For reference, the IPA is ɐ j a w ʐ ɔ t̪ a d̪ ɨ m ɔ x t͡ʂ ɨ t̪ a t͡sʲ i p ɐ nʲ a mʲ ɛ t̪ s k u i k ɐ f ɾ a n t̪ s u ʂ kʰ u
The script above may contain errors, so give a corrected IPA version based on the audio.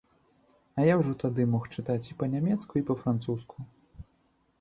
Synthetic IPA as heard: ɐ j a w ʐ ɔ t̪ a d̪ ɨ m ɔ x t͡ʂ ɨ t̪ a t͡sʲ i p ɐ nʲ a mʲ ɛ t̪ s k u i p ɐ f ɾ a n t̪ s u s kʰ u